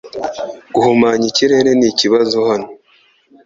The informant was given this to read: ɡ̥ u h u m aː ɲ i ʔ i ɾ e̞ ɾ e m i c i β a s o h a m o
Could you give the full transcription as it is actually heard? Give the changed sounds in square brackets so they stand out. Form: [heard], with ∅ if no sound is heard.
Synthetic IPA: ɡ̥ u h u m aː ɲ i [c] i ɾ e̞ ɾ e [n] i c i β a [z] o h a [n] o